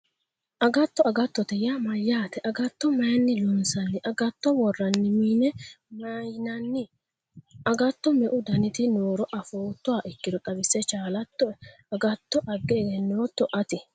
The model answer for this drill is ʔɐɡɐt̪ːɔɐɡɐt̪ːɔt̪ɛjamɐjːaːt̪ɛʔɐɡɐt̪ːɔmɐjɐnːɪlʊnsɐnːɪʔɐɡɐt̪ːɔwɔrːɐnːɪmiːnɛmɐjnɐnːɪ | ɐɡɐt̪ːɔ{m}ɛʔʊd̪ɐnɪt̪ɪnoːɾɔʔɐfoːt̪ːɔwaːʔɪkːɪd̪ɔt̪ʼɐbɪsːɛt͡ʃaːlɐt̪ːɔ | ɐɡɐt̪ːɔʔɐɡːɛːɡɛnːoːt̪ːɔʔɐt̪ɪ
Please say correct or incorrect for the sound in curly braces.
correct